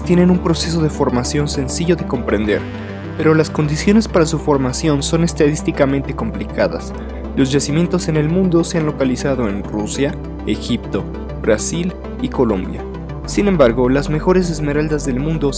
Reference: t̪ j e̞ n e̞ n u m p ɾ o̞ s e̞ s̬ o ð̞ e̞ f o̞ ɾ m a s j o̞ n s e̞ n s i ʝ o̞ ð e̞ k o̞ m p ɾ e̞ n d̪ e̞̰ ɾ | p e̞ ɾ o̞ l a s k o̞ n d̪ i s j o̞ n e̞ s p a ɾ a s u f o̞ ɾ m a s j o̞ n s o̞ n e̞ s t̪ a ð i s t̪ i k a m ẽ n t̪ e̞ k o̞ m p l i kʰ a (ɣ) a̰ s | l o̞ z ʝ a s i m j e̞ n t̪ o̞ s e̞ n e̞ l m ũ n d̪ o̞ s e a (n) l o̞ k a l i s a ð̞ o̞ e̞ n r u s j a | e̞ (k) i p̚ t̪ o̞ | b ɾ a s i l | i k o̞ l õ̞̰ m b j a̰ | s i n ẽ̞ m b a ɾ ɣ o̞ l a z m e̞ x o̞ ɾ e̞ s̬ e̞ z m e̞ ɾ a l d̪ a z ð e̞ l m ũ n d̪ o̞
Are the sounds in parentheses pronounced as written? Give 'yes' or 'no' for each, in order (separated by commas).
no, yes, no